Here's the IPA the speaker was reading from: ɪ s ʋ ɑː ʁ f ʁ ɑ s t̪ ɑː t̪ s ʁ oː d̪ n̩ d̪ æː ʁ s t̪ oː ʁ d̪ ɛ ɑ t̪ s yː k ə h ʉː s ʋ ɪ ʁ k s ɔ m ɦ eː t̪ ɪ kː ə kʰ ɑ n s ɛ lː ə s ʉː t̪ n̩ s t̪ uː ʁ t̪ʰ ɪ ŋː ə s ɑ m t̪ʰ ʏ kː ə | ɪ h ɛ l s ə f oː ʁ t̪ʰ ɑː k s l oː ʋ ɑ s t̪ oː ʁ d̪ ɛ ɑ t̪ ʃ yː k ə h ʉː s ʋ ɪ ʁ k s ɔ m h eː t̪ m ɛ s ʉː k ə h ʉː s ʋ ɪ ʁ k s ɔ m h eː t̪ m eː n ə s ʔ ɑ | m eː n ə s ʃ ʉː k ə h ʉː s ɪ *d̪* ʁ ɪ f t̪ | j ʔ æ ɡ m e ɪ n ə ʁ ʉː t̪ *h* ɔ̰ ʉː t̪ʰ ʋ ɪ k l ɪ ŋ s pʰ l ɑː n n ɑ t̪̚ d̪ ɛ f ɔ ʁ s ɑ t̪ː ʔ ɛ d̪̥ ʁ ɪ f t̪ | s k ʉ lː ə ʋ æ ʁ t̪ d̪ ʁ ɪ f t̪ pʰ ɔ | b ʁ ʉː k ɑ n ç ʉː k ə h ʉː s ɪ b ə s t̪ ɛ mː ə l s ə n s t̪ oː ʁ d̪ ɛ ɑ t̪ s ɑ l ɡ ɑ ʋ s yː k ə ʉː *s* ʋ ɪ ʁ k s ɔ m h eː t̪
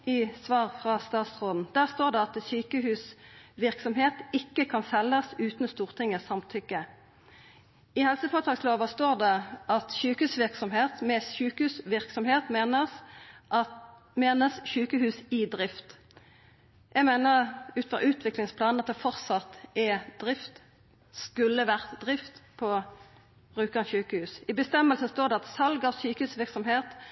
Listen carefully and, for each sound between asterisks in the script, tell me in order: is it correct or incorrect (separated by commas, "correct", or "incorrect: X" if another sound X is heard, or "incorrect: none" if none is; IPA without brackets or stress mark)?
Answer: correct, incorrect: f, correct